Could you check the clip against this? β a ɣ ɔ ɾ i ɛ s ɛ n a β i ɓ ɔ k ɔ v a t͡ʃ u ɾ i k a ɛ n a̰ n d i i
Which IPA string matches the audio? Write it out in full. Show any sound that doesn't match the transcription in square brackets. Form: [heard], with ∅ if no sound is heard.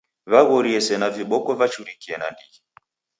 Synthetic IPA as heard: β a ɣ ɔ ɾ i ɛ s ɛ n a [v] i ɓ ɔ k ɔ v a t͡ʃ u ɾ i k [i] ɛ n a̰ n d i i